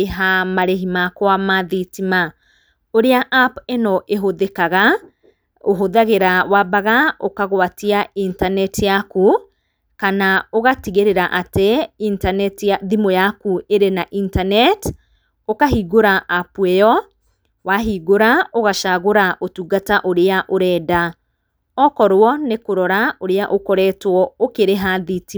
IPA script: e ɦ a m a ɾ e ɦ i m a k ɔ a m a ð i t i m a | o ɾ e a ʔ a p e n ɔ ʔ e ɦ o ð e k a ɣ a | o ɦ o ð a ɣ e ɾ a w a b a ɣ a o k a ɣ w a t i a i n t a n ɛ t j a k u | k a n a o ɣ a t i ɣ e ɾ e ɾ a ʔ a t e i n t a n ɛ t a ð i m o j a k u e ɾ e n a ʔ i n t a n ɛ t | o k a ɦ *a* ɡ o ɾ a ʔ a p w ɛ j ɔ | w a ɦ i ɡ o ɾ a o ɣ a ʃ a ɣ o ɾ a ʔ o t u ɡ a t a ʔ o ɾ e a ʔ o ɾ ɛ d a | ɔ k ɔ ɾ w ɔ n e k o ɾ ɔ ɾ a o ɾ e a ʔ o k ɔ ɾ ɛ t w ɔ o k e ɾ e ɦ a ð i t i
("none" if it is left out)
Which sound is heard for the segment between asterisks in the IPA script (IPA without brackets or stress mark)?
i